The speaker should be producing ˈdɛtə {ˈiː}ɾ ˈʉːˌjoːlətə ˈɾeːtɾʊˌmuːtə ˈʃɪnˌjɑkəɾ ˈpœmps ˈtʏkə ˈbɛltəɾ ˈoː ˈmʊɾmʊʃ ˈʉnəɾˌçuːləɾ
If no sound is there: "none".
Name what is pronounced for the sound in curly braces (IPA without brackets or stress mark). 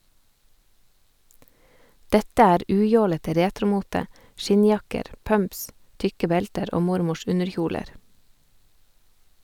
æː